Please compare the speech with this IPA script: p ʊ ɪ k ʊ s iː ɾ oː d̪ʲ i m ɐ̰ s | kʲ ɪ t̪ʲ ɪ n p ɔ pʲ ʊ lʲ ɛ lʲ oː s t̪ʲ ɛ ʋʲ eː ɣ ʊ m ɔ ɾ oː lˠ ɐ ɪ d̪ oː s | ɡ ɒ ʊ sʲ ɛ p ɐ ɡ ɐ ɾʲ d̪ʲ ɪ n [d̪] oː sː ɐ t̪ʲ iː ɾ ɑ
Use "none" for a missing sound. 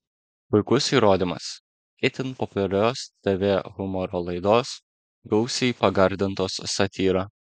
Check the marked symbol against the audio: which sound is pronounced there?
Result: t̪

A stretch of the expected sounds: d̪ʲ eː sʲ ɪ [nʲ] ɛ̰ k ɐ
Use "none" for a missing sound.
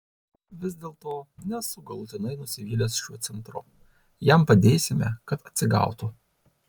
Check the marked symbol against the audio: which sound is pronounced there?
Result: mʲ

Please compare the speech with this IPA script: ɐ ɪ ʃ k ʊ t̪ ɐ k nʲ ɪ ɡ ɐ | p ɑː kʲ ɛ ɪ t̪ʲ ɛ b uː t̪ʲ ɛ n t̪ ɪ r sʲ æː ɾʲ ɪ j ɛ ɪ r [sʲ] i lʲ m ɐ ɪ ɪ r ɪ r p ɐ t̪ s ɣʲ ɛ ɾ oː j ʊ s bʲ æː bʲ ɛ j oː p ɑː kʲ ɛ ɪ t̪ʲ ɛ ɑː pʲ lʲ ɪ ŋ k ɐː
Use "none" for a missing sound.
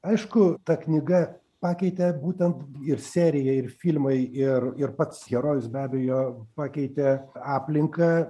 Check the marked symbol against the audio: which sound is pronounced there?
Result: fʲ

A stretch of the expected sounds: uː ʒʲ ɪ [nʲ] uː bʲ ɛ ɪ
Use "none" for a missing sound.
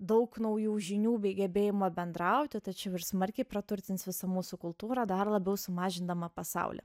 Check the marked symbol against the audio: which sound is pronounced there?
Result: nʲ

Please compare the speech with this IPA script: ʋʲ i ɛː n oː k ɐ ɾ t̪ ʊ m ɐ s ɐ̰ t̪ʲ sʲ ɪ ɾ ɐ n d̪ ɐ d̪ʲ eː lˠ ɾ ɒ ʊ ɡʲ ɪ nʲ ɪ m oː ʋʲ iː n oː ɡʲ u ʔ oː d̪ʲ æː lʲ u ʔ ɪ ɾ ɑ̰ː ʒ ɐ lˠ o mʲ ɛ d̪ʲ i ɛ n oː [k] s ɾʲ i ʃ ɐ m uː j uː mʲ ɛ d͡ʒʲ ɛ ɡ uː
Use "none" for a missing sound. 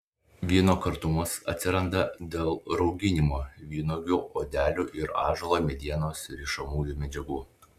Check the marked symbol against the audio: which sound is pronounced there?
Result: none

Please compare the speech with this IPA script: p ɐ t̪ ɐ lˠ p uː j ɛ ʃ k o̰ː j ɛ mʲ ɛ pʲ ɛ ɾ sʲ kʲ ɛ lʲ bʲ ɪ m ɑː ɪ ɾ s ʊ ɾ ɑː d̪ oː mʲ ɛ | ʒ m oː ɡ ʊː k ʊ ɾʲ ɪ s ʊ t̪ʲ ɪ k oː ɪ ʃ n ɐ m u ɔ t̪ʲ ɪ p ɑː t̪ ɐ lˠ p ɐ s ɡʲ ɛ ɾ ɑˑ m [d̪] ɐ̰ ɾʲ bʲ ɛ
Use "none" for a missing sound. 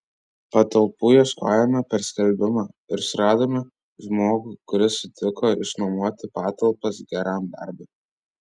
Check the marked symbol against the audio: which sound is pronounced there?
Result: d̪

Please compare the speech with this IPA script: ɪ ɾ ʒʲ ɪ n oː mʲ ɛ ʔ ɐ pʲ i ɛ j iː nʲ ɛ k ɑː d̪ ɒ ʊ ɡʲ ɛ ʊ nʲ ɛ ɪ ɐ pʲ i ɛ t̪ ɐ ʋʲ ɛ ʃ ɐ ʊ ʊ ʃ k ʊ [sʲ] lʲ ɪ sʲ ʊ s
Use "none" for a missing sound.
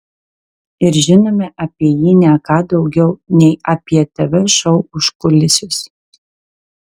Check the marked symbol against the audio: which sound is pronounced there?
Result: none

